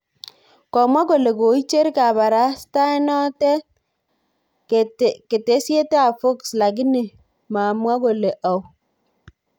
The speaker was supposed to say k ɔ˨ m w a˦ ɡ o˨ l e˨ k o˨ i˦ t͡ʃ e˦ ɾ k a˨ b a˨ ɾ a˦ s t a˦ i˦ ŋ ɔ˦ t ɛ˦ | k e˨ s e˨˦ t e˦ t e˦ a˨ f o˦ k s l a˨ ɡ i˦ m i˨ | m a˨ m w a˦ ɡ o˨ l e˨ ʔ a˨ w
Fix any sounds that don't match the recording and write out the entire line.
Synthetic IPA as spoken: k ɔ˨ m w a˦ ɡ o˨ l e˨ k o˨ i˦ t͡ʃ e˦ ɾ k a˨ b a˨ ɾ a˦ s t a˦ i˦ n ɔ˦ t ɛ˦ | k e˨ t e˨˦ s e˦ t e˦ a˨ f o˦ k s l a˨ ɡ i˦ n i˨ | m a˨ m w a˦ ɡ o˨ l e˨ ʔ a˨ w